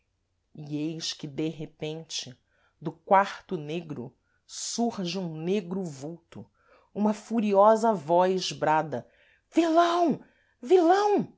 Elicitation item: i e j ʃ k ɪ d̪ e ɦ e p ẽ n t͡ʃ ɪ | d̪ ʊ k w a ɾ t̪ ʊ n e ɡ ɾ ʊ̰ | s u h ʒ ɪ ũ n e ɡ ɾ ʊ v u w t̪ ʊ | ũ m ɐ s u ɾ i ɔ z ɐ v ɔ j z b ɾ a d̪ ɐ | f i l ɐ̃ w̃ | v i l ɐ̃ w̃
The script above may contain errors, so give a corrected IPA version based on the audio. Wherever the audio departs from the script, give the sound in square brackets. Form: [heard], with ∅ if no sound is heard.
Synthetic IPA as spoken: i e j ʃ k ɪ d̪ e ɦ e p ẽ n t͡ʃ ɪ | d̪ ʊ k w a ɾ t̪ ʊ n e ɡ ɾ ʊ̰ | s u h ʒ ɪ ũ n e ɡ ɾ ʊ v u w t̪ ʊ | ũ m ɐ [f] u ɾ i ɔ z ɐ v ɔ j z b ɾ a d̪ ɐ | [v] i l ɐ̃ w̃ | v i l ɐ̃ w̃